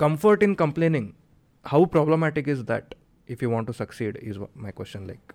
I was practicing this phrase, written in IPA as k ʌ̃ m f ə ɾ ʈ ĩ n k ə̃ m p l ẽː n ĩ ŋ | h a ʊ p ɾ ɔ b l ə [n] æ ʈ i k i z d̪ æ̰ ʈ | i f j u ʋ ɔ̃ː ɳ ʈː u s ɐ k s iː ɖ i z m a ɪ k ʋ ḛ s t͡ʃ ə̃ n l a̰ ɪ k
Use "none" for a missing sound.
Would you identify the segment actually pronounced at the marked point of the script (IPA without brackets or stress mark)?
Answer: m